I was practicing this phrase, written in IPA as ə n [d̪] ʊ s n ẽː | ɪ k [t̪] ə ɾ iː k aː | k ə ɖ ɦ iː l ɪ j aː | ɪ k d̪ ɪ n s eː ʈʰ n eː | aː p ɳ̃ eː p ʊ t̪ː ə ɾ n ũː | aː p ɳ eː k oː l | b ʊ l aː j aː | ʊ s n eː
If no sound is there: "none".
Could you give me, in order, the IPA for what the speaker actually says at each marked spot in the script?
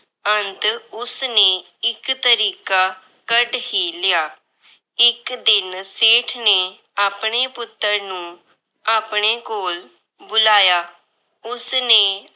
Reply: t̪, t̪

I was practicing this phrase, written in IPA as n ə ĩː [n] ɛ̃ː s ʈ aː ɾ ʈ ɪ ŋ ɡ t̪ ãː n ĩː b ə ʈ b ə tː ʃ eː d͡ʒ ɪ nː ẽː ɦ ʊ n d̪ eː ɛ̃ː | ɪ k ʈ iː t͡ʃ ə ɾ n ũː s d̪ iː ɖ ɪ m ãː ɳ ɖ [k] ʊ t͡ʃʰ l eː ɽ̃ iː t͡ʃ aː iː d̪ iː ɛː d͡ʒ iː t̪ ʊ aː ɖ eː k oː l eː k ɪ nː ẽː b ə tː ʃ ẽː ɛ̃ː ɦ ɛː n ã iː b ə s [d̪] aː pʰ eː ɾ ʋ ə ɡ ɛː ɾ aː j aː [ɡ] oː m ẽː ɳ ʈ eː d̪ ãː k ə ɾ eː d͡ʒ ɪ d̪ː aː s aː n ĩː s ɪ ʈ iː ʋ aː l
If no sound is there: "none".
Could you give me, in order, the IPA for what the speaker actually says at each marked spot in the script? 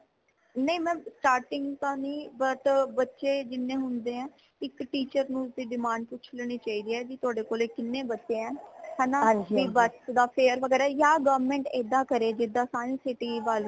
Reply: m, p, d̪, ɡ

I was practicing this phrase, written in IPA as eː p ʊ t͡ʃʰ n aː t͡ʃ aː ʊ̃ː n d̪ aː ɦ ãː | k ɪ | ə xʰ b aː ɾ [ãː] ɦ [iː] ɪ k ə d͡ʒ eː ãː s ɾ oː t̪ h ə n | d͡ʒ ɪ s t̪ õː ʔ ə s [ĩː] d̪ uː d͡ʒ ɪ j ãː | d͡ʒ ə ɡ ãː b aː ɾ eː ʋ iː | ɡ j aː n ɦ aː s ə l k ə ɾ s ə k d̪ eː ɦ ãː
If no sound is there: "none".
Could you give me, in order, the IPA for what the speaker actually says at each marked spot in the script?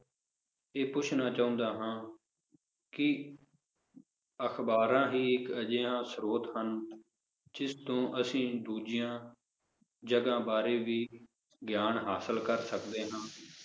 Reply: ãː, iː, ĩː

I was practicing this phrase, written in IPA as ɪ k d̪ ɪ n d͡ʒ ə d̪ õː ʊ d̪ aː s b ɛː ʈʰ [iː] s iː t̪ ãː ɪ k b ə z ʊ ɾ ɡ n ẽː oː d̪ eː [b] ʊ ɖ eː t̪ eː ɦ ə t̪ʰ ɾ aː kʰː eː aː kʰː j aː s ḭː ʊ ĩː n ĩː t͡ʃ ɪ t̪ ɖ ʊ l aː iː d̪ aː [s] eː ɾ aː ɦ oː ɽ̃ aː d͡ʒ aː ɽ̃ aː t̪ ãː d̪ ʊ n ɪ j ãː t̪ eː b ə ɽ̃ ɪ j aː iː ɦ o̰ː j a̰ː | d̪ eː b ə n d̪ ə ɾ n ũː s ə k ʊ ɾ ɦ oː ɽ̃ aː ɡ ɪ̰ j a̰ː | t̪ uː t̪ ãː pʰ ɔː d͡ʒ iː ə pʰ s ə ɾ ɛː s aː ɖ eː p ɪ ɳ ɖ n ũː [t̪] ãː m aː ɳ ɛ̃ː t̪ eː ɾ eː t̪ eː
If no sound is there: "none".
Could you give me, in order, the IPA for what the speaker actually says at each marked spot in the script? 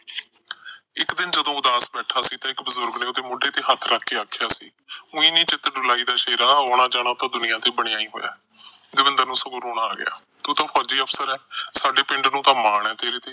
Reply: aː, m, ʃ, t̪

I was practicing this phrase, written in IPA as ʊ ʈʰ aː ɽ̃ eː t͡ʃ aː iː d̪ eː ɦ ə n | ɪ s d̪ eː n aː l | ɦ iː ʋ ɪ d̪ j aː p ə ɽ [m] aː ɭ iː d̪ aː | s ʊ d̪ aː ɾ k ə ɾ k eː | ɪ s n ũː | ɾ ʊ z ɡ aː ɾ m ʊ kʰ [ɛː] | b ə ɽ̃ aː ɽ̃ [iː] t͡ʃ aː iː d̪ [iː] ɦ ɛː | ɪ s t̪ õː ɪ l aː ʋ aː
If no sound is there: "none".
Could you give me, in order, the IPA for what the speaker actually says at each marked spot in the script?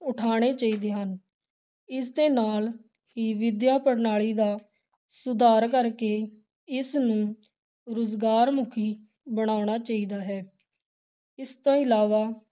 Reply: n, iː, aː, aː

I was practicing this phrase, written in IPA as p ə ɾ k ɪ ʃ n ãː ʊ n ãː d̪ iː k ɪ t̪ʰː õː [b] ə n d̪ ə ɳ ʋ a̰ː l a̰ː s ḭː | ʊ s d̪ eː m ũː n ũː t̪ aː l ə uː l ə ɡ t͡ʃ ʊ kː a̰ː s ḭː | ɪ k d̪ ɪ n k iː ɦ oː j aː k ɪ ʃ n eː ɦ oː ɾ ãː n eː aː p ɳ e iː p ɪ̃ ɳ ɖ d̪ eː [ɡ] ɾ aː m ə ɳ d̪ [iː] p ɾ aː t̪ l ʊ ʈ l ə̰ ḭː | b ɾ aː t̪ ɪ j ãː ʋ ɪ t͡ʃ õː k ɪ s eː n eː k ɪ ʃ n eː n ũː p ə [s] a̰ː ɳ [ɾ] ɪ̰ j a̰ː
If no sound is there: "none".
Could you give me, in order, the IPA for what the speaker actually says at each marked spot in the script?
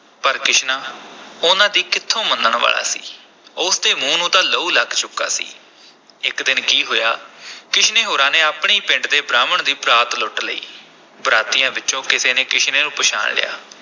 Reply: m, b, iː, ʃ, l

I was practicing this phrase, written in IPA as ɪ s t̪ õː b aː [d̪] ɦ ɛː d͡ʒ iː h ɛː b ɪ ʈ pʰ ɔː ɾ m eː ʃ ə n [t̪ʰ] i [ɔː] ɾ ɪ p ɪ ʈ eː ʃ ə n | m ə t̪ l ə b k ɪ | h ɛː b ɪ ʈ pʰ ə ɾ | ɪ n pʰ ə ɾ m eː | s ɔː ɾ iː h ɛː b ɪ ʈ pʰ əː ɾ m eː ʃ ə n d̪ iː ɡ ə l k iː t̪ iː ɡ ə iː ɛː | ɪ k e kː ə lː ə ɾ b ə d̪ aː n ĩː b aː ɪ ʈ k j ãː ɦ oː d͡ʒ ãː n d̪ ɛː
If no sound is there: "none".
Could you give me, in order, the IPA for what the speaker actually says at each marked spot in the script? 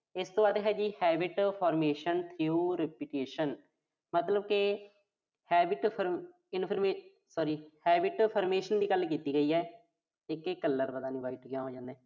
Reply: d̪, t̪ʰ, uː

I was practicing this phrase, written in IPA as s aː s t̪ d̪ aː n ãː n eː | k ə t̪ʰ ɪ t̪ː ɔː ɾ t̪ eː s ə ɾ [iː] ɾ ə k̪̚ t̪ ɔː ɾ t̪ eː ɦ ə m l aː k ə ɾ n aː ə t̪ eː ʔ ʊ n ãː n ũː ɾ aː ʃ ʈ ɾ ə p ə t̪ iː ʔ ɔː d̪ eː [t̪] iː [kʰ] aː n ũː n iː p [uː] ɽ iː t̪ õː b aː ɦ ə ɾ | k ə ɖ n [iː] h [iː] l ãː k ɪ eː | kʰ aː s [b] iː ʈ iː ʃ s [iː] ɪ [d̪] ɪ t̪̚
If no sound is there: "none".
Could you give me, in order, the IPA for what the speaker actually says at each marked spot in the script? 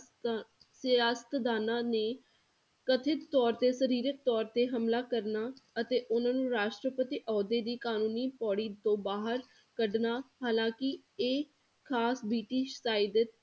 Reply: iː, d̪, k, ɔː, aː, aː, b, aː, d̪

